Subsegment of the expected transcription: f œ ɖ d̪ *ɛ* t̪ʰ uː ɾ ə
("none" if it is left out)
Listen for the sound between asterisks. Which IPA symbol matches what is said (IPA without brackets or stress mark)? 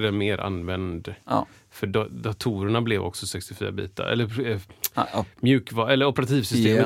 a